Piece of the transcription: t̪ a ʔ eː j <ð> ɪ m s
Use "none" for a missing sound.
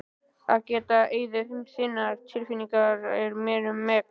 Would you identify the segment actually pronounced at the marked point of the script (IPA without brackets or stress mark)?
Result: ð